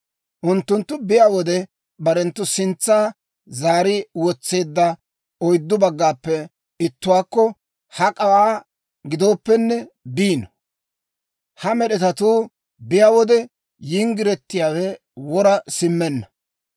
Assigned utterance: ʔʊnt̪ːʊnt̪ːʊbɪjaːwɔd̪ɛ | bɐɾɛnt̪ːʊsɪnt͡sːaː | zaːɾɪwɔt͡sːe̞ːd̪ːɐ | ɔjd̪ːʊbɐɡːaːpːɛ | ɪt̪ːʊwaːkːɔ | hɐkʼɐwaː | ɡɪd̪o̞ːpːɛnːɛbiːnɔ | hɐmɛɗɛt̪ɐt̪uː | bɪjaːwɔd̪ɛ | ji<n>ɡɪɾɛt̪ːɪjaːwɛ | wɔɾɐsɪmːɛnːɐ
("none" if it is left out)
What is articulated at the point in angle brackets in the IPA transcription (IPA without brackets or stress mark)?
ŋ